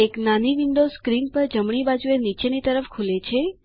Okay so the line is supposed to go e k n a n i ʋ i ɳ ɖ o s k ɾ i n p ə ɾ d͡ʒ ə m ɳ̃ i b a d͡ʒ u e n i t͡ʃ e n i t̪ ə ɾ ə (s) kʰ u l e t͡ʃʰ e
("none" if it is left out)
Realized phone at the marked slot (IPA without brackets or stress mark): f